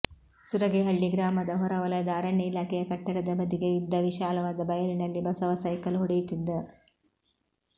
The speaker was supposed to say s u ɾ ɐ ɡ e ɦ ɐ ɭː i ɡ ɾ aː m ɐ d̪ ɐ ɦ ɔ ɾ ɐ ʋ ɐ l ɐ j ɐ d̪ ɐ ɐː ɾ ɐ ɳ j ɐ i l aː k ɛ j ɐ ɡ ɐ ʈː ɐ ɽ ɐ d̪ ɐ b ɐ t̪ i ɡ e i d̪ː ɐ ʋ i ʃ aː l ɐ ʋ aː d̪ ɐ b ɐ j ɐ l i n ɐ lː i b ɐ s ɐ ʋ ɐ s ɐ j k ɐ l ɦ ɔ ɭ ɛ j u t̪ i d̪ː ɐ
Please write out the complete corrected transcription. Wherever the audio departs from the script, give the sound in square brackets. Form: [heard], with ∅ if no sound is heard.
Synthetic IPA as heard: s u ɾ ɐ ɡ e ɦ ɐ ɭː i ɡ ɾ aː m ɐ d̪ ɐ ɦ ɔ ɾ ɐ ʋ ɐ l ɐ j ɐ d̪ ɐ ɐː ɾ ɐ ɳ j ɐ i l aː k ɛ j ɐ [k] ɐ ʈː ɐ ɽ ɐ d̪ ɐ b ɐ [d̪] i ɡ e i d̪ː ɐ ʋ i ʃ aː l ɐ ʋ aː d̪ ɐ b ɐ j ɐ l i n ɐ lː i b ɐ s ɐ ʋ ɐ s ɐ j k ɐ l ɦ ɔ [ɽ] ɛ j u t̪ i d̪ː ɐ